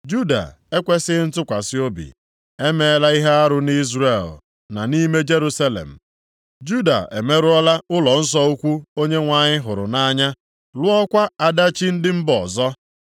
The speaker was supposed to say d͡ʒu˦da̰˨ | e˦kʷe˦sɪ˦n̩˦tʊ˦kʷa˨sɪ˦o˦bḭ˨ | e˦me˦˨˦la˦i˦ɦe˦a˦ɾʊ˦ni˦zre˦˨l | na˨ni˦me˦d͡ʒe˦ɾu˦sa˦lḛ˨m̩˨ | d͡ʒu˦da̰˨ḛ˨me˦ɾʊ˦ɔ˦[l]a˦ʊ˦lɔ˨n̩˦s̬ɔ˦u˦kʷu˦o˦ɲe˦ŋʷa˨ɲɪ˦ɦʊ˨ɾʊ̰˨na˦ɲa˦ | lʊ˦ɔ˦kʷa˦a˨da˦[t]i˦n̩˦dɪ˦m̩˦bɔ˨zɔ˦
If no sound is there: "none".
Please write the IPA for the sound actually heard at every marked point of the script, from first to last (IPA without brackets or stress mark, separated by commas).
l, t͡ʃ